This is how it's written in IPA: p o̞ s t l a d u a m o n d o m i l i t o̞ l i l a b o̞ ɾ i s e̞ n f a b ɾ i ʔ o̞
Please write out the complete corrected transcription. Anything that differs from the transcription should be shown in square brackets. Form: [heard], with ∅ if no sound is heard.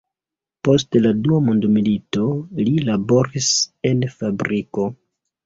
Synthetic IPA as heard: p o̞ s t l a d u a m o n d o m i l i t o̞ l i l a b o̞ ɾ i s e̞ n f a b ɾ i [k] o̞